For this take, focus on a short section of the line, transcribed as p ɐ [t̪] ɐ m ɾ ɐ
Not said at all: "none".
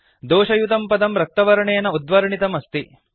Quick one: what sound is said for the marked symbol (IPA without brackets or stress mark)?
d̪